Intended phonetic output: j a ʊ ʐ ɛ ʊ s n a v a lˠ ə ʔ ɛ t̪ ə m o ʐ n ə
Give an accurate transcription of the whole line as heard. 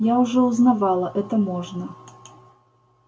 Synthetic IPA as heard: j a ʊ ʐ ɛ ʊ z n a v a lˠ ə ʔ ɛ t̪ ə m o ʐ n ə